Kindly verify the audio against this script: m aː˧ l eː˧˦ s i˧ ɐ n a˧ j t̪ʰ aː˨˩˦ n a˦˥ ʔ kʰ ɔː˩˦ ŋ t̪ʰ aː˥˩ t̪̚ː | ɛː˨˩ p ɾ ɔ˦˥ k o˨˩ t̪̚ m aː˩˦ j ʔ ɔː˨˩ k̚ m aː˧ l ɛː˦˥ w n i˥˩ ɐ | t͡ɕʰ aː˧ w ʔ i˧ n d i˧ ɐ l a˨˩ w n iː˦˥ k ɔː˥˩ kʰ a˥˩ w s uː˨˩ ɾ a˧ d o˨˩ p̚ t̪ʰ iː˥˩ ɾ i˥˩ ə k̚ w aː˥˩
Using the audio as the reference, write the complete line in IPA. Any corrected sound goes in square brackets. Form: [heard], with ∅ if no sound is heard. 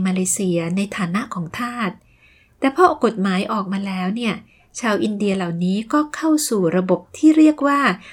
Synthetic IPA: m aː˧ l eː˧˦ s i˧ ɐ n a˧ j t̪ʰ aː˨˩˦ n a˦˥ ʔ kʰ ɔː˩˦ ŋ t̪ʰ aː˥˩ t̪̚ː | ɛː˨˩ [pʰ] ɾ ɔ˦˥ k o˨˩ t̪̚ m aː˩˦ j ʔ ɔː˨˩ k̚ m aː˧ l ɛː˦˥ w n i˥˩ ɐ | t͡ɕʰ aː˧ w ʔ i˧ n d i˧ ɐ l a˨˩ w n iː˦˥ k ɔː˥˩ kʰ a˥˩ w s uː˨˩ ɾ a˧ [b] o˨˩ p̚ t̪ʰ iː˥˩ ɾ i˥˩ ə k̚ w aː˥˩